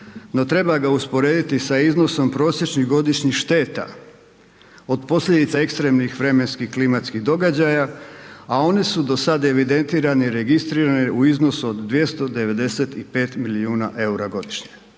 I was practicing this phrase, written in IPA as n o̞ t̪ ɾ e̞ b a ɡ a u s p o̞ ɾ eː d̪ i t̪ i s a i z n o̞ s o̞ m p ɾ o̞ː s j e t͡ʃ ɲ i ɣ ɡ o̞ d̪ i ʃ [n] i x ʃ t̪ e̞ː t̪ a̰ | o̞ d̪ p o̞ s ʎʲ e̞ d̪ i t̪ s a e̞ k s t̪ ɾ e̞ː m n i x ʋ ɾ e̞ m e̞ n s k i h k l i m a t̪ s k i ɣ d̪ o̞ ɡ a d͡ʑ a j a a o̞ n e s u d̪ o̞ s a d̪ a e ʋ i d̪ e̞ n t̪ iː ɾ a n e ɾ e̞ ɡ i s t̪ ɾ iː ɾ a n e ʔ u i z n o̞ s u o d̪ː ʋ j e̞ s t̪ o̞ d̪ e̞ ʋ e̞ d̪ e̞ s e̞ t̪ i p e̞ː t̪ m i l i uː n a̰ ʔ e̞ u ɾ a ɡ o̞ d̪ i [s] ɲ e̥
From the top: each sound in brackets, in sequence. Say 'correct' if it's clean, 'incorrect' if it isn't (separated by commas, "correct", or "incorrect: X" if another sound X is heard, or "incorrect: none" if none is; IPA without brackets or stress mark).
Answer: incorrect: ɲ, incorrect: ʃ